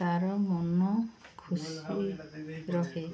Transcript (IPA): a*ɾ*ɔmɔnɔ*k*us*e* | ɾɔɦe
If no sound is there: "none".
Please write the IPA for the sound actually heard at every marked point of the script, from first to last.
ɾ, kʰ, i

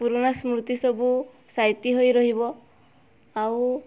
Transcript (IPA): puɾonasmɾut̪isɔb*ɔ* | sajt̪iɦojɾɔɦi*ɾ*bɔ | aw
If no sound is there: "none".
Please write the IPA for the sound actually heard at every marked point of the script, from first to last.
u, none

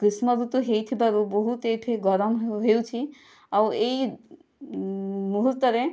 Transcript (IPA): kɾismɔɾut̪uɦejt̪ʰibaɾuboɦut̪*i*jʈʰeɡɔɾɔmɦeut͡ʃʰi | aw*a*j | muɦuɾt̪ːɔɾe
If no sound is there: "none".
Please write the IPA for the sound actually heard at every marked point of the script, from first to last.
e, e

